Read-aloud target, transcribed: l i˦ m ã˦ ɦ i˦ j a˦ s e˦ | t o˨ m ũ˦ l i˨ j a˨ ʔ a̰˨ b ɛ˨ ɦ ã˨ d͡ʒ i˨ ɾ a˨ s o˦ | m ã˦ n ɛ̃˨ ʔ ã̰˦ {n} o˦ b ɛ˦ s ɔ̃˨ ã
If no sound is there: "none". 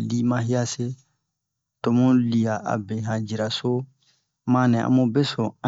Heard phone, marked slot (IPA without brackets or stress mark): m